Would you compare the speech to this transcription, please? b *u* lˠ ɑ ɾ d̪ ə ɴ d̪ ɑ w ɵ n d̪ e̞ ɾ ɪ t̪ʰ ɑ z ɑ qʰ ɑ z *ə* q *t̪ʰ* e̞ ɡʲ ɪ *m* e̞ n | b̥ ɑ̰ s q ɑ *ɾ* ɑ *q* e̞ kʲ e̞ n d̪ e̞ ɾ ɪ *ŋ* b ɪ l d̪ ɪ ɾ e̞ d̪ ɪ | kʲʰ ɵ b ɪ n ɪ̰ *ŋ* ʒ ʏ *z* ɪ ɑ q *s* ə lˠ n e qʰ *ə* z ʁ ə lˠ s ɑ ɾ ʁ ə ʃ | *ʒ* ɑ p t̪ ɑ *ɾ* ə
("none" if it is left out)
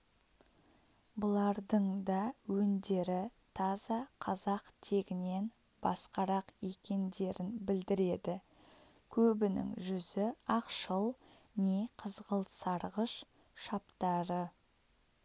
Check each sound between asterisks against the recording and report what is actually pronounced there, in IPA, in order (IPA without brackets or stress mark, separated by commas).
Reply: ʊ, ɑ, t̪ʰ, n, ɾ, q, n, ŋ, z, ʃ, ə, ʃ, ɾ